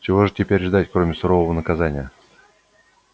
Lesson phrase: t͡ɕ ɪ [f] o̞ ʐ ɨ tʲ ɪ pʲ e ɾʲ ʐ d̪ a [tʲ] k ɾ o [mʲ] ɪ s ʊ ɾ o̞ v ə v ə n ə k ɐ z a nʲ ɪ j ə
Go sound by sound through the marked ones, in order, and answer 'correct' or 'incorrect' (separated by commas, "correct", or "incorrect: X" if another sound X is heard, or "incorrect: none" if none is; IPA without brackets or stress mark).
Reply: incorrect: v, correct, correct